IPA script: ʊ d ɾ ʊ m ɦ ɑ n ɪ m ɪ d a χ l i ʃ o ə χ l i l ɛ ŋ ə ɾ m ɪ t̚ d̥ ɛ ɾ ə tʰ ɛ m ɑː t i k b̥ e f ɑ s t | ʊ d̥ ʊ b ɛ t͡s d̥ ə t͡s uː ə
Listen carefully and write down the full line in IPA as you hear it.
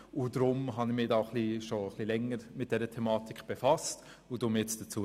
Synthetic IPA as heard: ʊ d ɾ ʊ m ɦ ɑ n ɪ m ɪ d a χ l i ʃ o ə χ l i l ɛ ŋ ə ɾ m ɪ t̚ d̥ ɛ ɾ ə tʰ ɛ m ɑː t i k b̥ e f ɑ s t | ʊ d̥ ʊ m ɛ t͡s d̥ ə t͡s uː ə